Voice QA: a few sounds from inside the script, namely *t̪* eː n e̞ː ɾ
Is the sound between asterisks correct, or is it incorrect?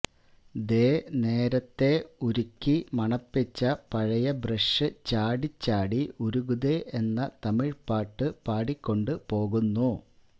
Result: incorrect: d̪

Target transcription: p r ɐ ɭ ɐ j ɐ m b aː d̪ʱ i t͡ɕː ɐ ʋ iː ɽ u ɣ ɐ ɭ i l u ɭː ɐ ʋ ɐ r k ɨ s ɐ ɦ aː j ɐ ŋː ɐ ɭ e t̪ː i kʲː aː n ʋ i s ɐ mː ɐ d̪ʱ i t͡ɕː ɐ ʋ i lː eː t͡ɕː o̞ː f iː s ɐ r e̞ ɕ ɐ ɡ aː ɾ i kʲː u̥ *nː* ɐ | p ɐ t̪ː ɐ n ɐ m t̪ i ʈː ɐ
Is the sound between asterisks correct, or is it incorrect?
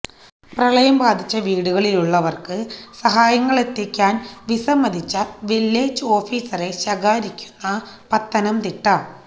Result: correct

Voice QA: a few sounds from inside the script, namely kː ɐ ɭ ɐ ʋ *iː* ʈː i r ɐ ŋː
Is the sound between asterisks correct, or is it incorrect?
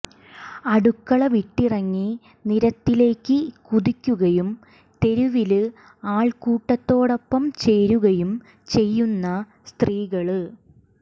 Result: incorrect: i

